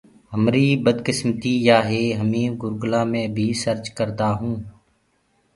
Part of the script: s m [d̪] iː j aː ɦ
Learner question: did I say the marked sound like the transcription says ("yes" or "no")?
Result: no